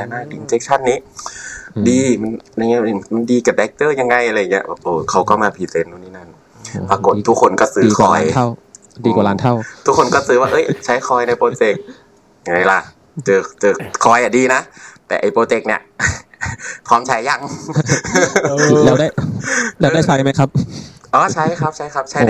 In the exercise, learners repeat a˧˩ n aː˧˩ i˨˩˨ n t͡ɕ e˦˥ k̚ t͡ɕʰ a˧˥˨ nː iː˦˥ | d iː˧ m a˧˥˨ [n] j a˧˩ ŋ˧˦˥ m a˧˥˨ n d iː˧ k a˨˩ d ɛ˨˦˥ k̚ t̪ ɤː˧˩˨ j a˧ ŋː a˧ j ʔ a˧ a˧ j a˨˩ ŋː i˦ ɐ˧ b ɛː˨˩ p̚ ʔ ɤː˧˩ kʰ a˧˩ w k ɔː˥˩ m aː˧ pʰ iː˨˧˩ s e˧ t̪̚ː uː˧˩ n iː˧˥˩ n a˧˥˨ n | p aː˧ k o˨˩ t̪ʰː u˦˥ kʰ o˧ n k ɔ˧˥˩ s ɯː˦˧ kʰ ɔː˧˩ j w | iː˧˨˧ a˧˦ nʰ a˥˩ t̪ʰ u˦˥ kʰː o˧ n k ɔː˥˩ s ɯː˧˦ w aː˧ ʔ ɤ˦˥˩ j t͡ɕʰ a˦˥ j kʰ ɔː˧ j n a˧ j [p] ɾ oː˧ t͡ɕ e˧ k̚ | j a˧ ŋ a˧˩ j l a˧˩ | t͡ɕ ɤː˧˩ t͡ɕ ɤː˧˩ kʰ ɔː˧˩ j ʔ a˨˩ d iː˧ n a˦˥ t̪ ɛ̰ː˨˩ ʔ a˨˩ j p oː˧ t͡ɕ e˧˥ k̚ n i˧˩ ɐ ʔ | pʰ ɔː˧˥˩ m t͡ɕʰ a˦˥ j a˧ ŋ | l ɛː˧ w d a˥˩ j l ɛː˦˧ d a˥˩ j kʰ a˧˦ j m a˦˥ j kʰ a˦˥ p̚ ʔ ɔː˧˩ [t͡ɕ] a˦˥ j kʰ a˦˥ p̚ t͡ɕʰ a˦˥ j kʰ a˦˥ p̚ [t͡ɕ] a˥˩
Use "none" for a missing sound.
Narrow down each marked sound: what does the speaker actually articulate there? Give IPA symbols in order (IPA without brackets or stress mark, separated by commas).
n, p, t͡ɕʰ, t͡ɕʰ